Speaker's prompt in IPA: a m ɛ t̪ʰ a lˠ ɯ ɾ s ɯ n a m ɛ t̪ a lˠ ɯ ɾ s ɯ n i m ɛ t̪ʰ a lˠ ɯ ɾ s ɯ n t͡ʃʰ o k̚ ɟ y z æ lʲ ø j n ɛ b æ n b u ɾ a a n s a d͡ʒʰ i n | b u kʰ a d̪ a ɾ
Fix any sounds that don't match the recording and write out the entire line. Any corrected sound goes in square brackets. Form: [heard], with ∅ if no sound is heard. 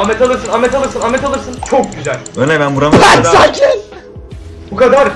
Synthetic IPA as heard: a m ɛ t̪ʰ a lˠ ɯ ɾ s ɯ n a m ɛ t̪ a lˠ ɯ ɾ s ɯ n [a] m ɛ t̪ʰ a lˠ ɯ ɾ s ɯ n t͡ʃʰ o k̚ ɟ y z æ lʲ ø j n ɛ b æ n b u ɾ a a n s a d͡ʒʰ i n | b u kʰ a d̪ a ɾ